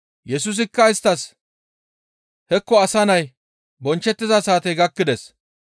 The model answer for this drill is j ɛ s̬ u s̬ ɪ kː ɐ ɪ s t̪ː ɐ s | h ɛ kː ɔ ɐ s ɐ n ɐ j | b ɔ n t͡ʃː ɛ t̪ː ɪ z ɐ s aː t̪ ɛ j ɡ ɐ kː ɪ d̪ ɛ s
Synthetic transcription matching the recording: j ɛ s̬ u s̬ ɪ kː ɐ ɪ s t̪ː ɐ s | h ɛ kː ɔ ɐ s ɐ n ɐ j | b ɔ n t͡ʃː ɛ t̪ː ɪ z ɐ s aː t̪ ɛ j ɡ ɐ kː ɪ d̪ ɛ s